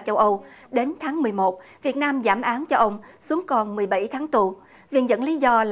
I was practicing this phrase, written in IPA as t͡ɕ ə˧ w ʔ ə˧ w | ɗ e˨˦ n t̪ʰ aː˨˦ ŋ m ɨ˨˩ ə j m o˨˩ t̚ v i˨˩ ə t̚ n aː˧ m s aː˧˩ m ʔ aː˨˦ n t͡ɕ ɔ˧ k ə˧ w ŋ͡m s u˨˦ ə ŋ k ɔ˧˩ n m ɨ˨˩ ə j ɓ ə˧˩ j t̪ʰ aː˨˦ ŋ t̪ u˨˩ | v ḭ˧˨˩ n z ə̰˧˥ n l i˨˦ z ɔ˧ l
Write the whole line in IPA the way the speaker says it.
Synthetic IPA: t͡ɕ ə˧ w ʔ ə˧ w | ɗ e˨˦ n t̪ʰ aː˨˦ ŋ m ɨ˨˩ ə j m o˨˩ t̚ v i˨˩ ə t̚ n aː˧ m z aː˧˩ m ʔ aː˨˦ n t͡ɕ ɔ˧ ʔ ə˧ w ŋ͡m s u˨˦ ə ŋ k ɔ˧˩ n m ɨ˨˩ ə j ɓ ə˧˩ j t̪ʰ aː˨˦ ŋ t̪ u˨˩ | v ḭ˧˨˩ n z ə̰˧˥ n l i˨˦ z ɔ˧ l